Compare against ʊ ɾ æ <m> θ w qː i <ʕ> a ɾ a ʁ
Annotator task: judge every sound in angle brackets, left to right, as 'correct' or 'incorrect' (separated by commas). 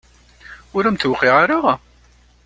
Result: correct, incorrect